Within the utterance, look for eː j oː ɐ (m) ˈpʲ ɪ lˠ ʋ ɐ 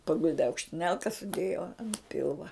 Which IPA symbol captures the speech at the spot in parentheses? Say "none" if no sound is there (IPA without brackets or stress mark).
n